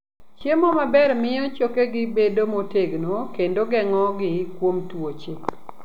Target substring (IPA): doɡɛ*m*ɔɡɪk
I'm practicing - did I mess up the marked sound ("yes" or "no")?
yes